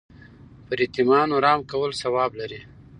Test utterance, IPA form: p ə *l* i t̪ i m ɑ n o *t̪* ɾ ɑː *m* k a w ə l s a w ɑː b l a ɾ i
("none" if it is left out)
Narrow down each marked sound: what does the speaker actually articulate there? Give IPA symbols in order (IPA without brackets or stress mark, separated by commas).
ɾ, none, m